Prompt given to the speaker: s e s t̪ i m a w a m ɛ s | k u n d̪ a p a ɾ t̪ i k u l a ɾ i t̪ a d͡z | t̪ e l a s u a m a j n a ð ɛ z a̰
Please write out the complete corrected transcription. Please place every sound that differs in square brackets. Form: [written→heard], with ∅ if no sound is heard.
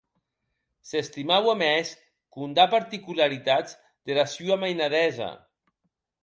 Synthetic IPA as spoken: s e s t̪ i m a w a m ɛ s | k u n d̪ a p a ɾ t̪ i k u l a ɾ i t̪ a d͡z | [t̪→d̪] e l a s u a m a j n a ð ɛ z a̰